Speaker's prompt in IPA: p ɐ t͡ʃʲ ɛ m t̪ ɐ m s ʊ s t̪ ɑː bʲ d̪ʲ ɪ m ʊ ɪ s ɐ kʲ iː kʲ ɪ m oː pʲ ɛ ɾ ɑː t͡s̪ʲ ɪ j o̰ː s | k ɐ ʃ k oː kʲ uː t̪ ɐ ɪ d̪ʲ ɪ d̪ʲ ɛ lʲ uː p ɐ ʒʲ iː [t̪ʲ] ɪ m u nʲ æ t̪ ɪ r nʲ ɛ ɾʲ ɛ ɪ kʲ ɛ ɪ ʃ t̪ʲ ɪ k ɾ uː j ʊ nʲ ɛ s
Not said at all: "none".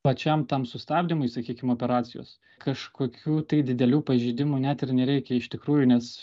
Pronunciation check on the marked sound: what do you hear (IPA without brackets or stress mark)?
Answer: d̪ʲ